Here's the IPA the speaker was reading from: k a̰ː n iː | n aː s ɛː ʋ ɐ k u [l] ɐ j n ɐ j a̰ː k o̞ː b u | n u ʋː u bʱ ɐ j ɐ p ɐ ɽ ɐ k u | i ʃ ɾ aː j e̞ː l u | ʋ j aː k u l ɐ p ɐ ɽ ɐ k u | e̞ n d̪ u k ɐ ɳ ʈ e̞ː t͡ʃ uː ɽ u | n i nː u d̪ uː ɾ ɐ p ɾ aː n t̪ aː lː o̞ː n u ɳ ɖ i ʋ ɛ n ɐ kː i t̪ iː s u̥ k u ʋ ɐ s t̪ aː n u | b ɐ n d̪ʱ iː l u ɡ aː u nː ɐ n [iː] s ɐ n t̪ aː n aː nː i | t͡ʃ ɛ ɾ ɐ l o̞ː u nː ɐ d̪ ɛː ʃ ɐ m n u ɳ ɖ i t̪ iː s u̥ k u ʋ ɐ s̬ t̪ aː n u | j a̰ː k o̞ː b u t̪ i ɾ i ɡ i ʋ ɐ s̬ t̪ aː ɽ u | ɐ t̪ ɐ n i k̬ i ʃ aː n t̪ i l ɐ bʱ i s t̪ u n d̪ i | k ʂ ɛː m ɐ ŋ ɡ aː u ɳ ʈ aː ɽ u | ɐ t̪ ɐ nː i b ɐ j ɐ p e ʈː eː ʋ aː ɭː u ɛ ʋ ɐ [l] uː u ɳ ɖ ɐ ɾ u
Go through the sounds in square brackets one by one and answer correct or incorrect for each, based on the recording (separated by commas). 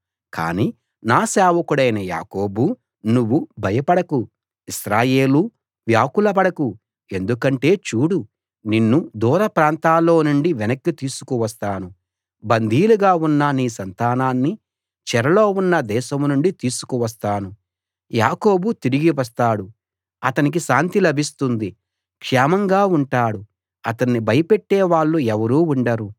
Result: incorrect, correct, incorrect